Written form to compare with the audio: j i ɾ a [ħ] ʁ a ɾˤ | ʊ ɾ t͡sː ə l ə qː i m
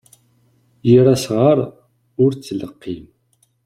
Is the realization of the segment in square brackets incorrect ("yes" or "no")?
yes